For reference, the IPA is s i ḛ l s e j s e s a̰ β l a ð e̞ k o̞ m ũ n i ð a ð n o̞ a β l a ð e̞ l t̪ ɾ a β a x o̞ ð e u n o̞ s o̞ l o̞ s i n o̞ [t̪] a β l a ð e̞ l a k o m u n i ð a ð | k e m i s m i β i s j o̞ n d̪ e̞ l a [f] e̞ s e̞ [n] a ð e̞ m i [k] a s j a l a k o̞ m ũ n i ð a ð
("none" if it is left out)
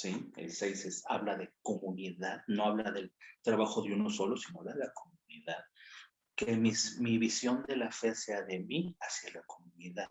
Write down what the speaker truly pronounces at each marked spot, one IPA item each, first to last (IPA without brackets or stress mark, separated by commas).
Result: none, f, none, none